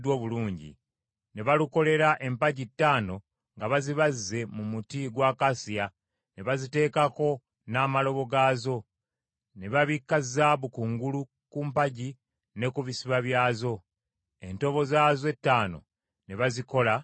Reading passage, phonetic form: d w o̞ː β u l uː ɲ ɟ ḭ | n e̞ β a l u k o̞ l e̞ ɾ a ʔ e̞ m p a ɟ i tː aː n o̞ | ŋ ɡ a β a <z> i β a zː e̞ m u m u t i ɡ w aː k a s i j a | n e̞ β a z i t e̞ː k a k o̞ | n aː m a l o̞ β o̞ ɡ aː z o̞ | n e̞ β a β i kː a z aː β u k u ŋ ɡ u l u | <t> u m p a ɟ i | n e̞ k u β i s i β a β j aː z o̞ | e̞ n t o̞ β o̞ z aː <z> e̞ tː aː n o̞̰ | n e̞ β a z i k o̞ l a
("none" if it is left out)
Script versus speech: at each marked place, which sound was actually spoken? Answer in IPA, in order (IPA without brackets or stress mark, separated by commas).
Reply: z, k, z